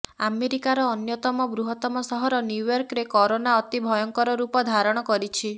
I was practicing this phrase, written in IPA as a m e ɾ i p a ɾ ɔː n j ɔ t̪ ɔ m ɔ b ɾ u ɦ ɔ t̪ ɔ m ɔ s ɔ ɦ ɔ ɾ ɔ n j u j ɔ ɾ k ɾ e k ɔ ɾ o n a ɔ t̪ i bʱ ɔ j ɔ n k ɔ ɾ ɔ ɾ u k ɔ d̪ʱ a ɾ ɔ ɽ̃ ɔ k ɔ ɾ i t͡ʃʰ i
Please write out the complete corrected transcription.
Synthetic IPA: a m e ɾ i k a ɾ ɔː n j ɔ t̪ ɔ m ɔ b ɾ u ɦ ɔ t̪ ɔ m ɔ s ɔ ɦ ɔ ɾ ɔ n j u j ɔ ɾ k ɾ e k ɔ ɾ o n a ɔ t̪ i bʱ ɔ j ɔ ŋ k ɔ ɾ ɔ ɾ u p ɔ d̪ʱ a ɾ ɔ ɽ̃ ɔ k ɔ ɾ i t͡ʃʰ i